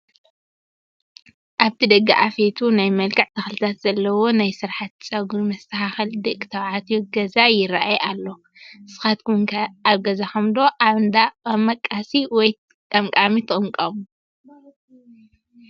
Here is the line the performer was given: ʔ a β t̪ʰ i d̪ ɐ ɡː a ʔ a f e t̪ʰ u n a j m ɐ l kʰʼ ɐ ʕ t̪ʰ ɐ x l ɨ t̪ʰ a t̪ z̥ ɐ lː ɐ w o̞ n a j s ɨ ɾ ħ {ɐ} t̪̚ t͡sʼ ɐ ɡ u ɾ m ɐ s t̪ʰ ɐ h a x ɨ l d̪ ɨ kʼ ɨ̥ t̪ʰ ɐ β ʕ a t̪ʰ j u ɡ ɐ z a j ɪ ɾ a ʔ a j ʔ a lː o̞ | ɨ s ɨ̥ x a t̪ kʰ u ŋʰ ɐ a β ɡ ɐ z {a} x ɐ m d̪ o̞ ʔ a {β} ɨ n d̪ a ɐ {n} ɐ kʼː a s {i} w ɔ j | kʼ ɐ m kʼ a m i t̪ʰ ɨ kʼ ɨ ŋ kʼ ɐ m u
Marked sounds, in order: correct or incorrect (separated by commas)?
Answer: incorrect, correct, correct, incorrect, correct